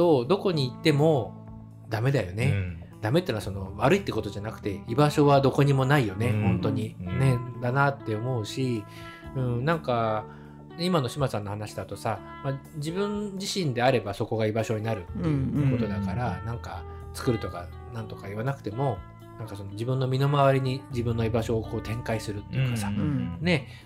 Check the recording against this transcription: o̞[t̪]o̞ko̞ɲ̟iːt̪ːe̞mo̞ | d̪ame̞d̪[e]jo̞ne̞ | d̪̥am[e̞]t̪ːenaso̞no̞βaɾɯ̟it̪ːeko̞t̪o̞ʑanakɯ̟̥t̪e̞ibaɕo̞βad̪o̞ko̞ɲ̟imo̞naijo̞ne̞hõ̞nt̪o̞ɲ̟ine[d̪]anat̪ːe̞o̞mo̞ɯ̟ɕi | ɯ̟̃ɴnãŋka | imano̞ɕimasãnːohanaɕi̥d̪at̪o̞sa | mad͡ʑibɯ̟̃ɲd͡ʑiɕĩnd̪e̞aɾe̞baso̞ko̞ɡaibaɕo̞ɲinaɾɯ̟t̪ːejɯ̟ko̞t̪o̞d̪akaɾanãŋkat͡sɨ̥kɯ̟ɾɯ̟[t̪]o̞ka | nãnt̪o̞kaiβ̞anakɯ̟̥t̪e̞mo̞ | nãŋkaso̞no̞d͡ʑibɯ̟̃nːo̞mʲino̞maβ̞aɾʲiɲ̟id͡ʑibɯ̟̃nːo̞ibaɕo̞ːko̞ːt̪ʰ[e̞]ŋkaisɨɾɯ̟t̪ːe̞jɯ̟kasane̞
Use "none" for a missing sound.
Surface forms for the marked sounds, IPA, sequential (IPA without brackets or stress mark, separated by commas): d̪, a, e̞, d̪, t̪, ẽ̞